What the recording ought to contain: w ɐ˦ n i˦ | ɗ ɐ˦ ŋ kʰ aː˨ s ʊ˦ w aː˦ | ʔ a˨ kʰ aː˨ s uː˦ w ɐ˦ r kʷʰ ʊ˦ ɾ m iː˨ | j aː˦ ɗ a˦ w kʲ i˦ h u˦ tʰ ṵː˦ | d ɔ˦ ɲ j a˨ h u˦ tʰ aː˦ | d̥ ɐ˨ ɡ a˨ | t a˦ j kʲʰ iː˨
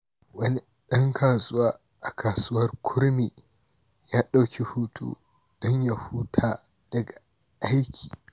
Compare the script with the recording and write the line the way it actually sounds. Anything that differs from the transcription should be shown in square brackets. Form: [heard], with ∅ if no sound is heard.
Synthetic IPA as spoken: w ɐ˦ n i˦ | ɗ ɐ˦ ŋ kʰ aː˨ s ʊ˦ w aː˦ | ʔ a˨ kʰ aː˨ s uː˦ w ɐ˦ r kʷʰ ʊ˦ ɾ m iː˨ | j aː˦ ɗ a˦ w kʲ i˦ h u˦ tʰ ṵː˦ | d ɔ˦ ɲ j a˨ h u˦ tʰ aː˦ | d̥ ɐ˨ ɡ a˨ | [ʔ] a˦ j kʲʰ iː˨